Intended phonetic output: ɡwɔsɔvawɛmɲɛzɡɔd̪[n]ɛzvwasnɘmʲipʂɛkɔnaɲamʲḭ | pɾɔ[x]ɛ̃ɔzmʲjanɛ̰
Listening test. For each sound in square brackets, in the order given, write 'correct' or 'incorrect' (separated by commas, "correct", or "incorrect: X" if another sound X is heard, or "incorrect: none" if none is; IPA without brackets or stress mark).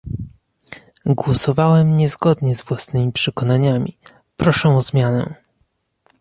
incorrect: ɲ, incorrect: ʂ